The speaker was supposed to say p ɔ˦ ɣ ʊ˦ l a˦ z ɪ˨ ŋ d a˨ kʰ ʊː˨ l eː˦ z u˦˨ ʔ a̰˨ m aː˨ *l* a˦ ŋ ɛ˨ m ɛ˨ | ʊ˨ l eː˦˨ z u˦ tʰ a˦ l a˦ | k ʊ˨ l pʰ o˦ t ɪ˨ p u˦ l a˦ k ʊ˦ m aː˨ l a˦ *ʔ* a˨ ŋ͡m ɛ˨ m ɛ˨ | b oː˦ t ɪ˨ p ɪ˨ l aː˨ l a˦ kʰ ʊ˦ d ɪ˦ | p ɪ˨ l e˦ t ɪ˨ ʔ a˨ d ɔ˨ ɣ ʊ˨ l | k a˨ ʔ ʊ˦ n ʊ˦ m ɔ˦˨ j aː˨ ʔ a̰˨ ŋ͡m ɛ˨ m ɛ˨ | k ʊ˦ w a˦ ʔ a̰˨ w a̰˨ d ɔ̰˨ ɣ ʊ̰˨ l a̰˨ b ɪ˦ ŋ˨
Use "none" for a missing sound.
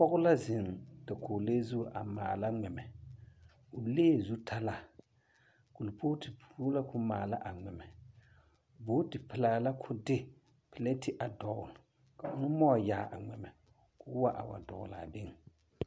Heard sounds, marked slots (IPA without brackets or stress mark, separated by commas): l, ʔ